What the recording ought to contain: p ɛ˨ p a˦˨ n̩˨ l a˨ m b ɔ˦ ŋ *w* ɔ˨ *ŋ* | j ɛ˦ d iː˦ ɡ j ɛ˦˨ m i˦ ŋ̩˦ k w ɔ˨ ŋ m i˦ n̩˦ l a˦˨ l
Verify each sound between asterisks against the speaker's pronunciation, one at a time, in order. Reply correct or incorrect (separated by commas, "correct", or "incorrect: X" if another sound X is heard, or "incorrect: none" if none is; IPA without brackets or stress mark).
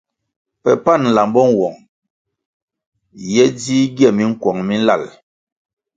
correct, correct